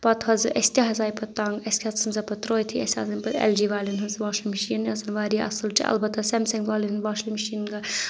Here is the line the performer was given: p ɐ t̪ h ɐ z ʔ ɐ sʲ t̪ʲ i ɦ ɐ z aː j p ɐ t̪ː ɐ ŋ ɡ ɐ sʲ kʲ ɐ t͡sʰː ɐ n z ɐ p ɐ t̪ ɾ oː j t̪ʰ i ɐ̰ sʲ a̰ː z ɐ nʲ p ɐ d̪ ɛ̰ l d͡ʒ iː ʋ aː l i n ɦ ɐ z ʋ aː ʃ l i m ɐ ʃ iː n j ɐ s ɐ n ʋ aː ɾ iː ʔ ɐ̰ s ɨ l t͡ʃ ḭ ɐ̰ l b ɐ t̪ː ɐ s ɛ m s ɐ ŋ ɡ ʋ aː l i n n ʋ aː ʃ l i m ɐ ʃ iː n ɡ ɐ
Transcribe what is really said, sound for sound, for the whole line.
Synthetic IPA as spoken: p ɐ t̪ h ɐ z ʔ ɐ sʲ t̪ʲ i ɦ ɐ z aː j p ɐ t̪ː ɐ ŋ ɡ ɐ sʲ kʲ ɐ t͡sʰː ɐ n z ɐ p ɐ t̪ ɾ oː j t̪ʰ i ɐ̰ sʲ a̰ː z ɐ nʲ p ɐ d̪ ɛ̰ l d͡ʒ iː ʋ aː l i n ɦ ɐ z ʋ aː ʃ l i m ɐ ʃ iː n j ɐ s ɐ n ʋ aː ɾ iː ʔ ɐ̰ s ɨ l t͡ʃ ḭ ɐ̰ l b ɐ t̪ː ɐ s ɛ m s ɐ ŋ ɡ ʋ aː l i n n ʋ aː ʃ l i m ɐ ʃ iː n ɡ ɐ